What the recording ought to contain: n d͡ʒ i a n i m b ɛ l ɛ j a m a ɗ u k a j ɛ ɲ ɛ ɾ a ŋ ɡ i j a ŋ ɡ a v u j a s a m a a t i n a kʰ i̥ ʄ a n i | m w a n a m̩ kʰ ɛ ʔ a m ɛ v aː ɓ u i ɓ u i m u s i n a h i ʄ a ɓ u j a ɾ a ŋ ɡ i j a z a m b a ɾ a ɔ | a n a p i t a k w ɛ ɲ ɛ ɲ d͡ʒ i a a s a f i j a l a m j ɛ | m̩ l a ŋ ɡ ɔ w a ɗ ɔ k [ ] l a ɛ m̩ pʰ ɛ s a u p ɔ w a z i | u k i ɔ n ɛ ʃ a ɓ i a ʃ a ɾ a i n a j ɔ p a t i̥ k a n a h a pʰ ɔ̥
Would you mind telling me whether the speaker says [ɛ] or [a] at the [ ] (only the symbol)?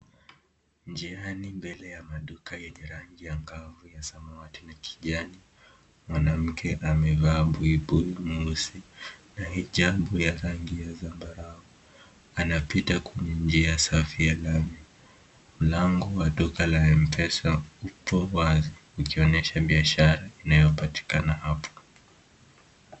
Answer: a